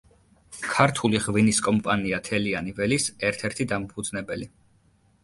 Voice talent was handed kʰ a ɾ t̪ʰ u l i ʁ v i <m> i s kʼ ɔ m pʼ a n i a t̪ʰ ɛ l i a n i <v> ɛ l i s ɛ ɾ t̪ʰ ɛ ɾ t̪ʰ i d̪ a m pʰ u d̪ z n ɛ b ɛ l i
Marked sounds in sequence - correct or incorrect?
incorrect, correct

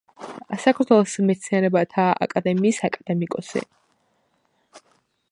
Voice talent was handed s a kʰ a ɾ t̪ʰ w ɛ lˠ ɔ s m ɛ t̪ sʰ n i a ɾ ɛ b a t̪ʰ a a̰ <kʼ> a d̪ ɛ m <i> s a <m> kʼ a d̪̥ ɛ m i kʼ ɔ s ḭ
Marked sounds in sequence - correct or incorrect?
correct, incorrect, incorrect

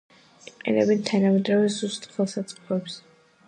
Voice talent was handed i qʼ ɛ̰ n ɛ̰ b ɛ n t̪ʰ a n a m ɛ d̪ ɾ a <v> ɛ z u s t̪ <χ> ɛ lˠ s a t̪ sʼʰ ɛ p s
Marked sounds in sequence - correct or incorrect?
correct, correct

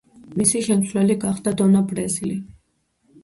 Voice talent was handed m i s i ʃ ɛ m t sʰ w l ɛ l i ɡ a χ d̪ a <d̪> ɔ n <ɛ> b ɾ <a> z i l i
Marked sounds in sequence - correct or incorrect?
correct, incorrect, incorrect

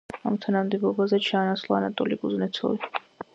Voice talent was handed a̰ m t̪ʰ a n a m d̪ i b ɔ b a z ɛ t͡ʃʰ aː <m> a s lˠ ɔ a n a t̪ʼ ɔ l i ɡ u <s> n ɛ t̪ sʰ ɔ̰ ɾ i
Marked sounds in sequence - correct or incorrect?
incorrect, incorrect

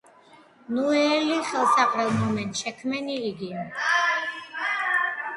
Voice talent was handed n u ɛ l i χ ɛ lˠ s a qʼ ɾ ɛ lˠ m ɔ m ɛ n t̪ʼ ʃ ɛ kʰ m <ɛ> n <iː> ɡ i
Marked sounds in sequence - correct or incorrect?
correct, correct

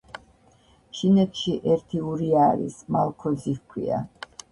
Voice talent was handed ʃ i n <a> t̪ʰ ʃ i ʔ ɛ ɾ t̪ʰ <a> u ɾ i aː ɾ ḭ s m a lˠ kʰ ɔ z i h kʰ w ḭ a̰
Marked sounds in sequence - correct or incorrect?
incorrect, incorrect

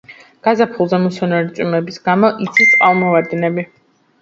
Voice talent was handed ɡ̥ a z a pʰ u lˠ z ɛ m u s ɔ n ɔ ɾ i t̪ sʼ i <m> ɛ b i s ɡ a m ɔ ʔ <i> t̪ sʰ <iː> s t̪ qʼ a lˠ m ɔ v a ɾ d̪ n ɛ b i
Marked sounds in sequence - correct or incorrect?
correct, correct, incorrect

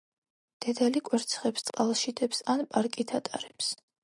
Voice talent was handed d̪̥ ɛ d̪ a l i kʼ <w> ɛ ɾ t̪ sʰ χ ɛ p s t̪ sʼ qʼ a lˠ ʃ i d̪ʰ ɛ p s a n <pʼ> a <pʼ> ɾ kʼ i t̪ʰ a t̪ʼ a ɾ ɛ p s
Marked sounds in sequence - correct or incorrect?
correct, correct, incorrect

